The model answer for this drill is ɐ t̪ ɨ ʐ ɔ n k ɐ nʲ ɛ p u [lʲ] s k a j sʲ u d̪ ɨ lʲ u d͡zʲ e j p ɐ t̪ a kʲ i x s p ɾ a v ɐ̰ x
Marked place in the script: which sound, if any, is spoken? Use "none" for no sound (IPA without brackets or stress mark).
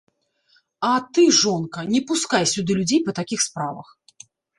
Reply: none